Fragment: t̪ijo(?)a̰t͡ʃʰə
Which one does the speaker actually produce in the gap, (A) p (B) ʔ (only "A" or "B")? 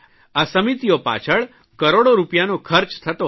A